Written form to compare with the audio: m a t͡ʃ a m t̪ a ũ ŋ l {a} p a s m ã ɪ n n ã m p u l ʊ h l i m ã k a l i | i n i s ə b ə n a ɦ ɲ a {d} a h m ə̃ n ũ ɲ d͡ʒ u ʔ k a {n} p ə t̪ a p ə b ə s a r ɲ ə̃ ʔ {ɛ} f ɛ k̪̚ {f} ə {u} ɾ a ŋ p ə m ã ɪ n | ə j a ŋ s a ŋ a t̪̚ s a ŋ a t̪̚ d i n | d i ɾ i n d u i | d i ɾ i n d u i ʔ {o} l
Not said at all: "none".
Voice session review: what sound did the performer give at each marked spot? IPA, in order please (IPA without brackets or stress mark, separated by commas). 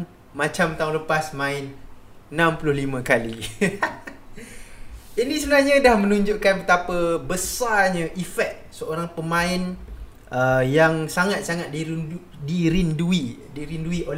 ə, d, n, i, s, o, o